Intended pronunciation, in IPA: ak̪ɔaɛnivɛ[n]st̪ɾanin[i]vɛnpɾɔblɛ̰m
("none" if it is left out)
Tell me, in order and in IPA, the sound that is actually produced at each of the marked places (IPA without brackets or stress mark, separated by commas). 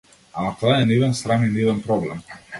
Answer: n, i